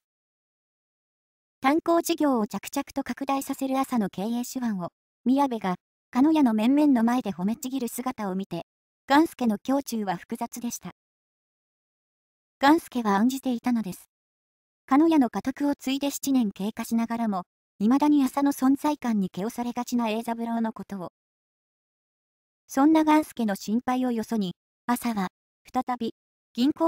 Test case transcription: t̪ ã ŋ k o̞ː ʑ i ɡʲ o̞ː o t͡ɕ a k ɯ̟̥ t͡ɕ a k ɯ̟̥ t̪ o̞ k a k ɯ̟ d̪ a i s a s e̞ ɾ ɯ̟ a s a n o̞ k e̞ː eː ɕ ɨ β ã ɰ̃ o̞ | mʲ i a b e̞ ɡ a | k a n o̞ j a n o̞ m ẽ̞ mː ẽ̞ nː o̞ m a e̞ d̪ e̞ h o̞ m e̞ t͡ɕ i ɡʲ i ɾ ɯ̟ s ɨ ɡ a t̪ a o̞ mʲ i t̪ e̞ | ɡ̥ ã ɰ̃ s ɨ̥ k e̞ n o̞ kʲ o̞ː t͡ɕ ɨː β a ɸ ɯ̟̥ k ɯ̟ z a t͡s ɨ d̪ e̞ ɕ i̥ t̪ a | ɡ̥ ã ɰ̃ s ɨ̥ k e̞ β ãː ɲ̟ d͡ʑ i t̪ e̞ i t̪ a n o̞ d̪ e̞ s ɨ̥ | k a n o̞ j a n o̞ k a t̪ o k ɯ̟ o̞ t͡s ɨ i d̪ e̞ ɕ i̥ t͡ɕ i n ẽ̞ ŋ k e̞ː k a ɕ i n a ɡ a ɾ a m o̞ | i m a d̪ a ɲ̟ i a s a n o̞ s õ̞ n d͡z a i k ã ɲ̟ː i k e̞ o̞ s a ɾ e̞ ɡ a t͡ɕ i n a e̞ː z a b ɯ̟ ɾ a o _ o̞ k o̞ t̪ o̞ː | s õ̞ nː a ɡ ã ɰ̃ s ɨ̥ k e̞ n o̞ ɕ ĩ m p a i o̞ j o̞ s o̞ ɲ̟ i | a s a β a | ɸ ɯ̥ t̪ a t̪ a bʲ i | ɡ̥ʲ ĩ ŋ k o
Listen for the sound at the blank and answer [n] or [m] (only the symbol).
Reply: n